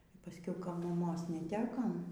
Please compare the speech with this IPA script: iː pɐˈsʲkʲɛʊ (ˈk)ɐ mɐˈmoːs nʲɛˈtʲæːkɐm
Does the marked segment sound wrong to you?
no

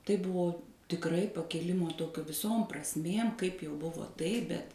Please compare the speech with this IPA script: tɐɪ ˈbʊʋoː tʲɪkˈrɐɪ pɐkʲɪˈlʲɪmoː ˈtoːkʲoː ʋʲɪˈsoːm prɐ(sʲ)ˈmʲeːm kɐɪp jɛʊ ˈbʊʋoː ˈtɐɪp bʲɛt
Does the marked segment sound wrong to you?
no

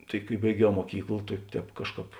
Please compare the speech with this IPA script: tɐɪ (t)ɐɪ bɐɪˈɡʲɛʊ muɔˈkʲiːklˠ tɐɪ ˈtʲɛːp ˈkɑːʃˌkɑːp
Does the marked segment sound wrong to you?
yes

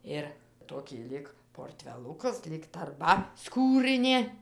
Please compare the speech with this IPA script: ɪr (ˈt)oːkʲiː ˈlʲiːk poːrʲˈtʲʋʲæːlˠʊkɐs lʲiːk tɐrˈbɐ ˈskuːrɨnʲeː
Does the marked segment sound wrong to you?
no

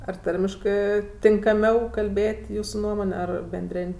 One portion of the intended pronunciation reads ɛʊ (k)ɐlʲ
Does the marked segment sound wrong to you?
no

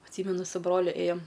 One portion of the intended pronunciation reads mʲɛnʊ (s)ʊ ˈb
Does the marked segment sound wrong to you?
no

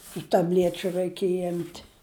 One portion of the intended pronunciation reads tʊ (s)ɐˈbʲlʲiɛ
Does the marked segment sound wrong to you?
yes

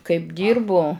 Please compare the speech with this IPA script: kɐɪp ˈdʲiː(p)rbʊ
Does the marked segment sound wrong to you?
yes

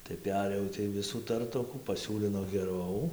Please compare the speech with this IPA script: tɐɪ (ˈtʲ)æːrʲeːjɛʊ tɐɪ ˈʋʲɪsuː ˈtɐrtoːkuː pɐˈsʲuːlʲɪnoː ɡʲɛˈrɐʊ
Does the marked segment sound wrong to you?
yes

